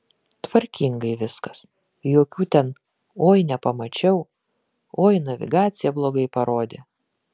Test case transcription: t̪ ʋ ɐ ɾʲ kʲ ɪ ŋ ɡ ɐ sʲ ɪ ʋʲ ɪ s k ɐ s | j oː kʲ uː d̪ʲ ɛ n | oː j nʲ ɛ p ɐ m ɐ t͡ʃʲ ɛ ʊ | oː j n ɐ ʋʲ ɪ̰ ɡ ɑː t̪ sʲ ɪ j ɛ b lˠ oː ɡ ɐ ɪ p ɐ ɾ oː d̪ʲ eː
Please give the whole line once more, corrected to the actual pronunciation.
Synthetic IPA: t̪ ʋ ɐ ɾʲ kʲ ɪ ŋ ɡ ɐ ɪ ʋʲ ɪ s k ɐ s | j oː kʲ uː t̪ʲ ɛ n | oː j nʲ ɛ p ɐ m ɐ t͡ʃʲ ɛ ʊ | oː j n ɐ ʋʲ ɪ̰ ɡ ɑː t̪ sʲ ɪ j ɛ b lˠ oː ɡ ɐ ɪ p ɐ ɾ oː d̪ʲ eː